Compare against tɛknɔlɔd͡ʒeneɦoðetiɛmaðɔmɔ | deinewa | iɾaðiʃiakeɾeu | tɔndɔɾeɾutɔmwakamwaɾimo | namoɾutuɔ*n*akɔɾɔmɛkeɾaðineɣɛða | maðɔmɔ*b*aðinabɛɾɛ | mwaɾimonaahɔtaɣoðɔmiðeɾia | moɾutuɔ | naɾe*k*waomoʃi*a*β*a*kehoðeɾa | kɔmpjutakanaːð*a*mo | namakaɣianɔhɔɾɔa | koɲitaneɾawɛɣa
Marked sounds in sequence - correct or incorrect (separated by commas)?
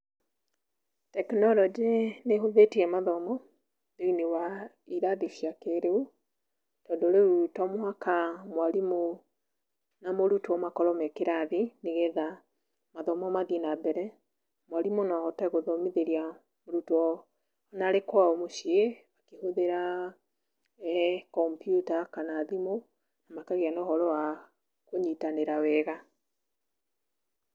incorrect, incorrect, correct, incorrect, correct, incorrect